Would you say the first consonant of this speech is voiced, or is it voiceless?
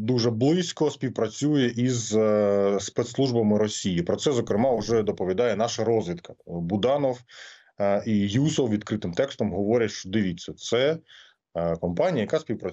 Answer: voiced